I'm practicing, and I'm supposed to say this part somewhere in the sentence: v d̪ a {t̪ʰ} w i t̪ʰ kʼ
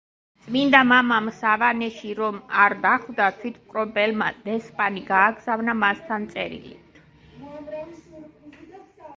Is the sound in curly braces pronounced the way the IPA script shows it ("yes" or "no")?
yes